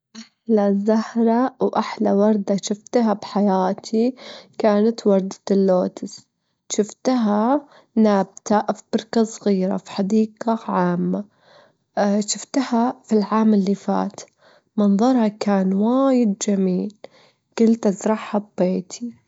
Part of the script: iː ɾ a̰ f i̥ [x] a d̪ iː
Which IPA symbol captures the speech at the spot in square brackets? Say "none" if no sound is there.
ħ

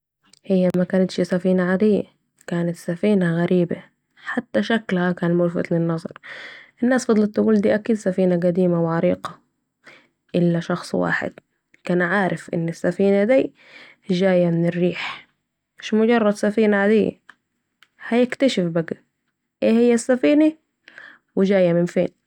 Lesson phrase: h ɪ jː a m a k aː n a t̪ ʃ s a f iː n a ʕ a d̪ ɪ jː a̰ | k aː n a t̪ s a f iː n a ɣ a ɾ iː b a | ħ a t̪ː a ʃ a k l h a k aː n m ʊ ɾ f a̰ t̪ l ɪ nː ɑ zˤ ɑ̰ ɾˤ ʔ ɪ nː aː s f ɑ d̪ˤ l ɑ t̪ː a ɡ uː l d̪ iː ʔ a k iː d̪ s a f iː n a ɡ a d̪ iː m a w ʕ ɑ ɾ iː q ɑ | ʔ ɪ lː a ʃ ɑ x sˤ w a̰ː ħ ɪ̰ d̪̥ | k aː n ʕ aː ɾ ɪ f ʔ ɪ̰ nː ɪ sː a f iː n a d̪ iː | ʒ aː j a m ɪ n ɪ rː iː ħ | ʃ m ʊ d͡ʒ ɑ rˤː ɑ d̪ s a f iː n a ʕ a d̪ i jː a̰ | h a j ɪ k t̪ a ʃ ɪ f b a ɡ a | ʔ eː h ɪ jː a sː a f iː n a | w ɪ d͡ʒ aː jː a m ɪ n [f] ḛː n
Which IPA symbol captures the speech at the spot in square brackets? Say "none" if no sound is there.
f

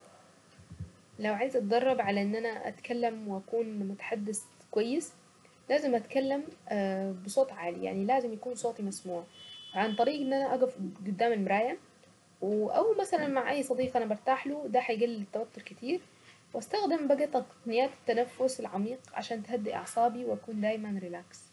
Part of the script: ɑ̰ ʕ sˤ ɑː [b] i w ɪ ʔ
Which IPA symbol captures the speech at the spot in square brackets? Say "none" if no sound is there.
b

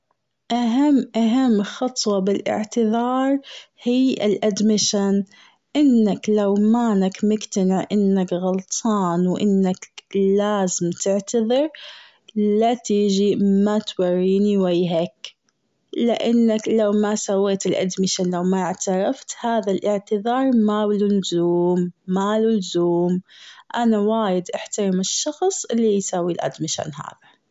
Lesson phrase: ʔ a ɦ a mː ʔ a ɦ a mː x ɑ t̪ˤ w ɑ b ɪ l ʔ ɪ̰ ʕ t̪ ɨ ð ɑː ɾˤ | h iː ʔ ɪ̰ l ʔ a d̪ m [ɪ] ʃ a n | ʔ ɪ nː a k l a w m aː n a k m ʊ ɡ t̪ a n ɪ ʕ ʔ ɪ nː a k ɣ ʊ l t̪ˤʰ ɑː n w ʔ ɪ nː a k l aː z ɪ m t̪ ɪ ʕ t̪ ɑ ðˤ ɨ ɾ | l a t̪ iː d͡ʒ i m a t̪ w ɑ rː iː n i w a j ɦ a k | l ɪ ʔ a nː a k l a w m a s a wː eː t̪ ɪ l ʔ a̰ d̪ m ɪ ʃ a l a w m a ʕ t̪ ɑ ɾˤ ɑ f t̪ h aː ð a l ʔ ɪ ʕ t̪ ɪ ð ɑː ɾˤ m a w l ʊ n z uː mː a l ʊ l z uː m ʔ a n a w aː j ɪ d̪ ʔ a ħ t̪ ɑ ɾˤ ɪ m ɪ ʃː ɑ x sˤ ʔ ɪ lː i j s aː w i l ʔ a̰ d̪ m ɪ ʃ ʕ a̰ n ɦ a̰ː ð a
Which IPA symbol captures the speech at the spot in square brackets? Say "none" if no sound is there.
ɪ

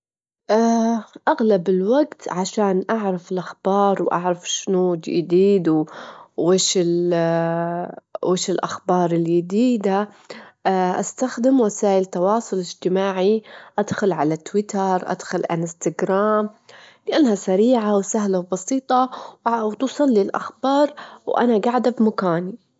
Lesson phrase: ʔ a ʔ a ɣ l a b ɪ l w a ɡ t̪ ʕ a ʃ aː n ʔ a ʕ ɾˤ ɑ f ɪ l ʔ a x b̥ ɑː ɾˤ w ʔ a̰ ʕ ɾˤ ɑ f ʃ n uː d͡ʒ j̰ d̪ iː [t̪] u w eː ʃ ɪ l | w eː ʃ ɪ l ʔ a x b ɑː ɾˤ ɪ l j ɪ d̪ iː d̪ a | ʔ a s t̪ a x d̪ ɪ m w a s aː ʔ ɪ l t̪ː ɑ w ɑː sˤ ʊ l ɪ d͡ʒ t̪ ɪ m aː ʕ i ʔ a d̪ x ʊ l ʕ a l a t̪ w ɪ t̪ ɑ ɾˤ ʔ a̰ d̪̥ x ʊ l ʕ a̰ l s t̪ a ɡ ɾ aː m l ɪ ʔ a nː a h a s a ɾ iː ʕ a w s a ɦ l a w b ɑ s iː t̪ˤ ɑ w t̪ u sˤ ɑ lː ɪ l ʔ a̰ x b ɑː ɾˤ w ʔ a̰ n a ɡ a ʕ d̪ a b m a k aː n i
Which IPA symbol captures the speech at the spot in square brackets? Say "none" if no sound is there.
d̪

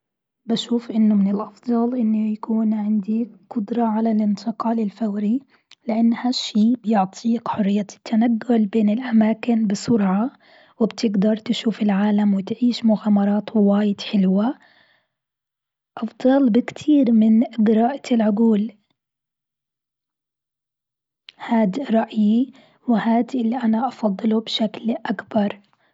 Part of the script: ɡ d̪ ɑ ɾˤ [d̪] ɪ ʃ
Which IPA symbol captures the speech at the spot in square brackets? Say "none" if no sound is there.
t̪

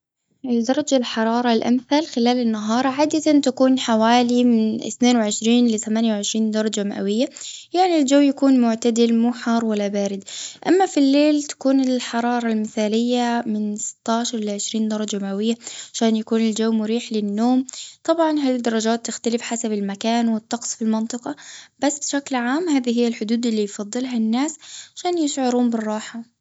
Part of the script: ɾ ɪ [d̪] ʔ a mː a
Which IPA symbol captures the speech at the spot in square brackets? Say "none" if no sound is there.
d̪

